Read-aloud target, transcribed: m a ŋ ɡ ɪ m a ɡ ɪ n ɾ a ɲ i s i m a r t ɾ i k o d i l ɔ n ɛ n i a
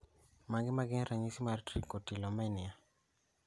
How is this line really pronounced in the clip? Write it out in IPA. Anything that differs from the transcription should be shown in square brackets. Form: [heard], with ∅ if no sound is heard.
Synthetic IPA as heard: m a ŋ ɡ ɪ m a ɡ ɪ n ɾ a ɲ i s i m a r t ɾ i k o [t] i l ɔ [m] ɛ n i a